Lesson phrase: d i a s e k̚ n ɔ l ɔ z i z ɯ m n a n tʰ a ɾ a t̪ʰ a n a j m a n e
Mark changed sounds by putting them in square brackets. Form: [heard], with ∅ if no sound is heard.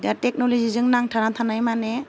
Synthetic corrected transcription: d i a [t] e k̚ n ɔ l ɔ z i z ɯ [ŋ] n a [ŋ] tʰ a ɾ a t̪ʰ a n a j m a n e